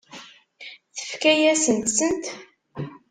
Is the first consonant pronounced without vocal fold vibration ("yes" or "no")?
yes